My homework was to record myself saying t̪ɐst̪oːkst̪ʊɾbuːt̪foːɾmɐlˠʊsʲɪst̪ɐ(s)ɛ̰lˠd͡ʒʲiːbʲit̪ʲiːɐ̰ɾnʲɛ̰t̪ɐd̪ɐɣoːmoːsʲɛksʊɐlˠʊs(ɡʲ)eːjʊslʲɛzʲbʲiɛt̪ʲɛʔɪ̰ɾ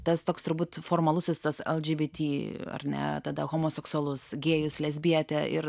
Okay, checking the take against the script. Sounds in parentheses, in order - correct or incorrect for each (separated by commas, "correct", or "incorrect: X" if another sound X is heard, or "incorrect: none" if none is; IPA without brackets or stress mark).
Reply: correct, correct